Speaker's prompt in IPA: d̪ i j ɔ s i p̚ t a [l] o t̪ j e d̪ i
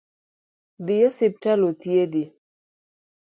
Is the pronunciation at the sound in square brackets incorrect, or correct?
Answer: correct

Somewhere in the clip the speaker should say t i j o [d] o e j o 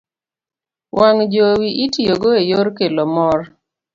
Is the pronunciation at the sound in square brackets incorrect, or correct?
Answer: incorrect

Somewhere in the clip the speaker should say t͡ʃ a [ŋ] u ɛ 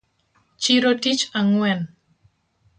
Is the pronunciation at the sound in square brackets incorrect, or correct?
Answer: correct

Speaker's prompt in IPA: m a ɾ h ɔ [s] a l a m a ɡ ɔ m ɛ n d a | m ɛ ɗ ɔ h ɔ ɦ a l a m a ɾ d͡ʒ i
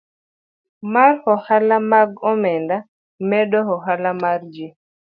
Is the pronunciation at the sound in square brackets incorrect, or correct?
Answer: incorrect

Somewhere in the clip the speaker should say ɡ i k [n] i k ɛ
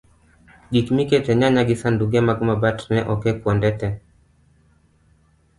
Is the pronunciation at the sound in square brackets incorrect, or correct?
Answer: incorrect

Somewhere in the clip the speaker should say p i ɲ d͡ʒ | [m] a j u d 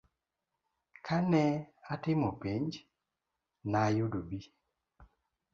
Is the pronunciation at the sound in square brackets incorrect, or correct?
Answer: incorrect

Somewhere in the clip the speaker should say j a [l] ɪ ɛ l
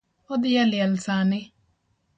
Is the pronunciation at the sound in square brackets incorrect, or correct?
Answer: correct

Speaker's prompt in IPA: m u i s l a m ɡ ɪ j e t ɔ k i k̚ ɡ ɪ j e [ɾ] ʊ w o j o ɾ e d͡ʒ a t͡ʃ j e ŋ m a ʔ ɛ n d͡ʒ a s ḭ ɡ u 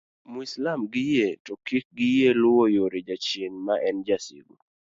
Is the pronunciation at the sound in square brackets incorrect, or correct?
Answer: incorrect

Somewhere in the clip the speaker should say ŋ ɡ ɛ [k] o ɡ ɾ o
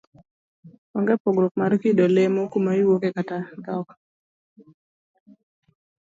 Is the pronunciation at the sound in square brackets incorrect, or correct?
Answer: incorrect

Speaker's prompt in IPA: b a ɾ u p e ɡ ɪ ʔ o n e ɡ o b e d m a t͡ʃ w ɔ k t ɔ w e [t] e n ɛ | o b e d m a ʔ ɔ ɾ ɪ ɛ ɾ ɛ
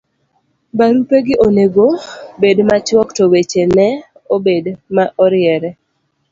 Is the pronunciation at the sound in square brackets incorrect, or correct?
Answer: incorrect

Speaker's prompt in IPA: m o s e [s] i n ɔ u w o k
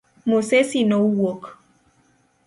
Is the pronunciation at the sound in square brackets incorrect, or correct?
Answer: correct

